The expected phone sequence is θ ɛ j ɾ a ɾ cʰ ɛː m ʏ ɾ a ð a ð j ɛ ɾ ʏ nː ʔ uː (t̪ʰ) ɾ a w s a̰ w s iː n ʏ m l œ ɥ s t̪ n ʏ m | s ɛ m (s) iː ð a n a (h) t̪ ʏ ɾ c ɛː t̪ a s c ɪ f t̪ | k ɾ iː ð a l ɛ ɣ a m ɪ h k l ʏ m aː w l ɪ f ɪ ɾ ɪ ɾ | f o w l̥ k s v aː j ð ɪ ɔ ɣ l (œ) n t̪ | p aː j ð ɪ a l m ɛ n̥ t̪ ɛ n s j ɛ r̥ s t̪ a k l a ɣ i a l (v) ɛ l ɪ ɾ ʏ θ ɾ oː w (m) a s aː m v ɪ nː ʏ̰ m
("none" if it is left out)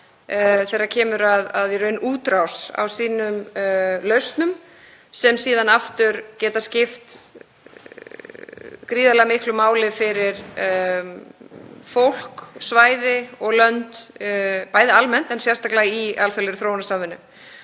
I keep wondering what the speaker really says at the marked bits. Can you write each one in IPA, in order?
t̪, s, f, œ, f, n

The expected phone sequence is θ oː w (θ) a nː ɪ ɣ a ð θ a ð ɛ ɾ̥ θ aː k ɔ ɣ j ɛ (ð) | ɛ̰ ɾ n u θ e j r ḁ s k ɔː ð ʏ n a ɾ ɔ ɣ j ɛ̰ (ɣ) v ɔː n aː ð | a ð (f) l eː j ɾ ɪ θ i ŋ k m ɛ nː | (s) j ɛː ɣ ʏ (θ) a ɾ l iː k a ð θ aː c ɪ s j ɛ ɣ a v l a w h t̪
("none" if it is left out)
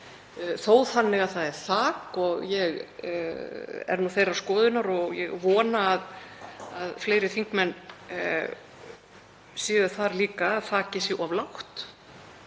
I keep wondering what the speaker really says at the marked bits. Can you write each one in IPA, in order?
θ, ɣ, ɣ, f, s, θ

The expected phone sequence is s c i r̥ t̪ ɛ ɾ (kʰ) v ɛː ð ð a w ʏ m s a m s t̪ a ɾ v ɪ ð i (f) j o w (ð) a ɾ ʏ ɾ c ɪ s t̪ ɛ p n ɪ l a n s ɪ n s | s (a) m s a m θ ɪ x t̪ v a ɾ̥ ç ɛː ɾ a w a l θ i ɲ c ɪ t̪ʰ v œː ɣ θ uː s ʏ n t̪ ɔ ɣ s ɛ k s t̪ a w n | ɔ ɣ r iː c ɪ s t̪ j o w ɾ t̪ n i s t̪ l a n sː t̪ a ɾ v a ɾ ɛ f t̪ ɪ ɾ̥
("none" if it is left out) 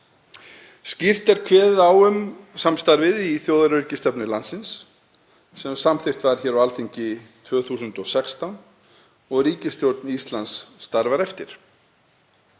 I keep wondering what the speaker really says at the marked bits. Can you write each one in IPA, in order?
kʰ, θ, ð, ɛ

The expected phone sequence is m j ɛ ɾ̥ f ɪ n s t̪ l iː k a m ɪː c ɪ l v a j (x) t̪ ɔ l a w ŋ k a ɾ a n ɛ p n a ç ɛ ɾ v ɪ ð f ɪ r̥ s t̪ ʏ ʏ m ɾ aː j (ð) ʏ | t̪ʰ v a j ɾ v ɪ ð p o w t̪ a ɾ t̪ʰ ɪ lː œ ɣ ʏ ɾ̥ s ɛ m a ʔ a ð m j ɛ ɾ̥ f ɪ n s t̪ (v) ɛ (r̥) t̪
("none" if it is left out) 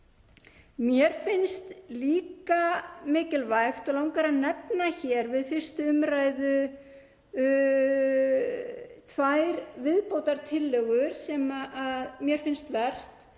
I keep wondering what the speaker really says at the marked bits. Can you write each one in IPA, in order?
x, ð, v, r̥

